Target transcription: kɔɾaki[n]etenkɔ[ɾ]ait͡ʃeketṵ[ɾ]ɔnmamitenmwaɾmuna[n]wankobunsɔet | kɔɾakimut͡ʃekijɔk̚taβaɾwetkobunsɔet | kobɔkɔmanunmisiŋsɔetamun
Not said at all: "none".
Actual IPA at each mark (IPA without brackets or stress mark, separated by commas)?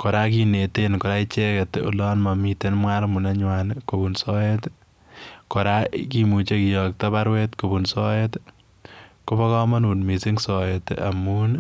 n, ɾ, l, ɲ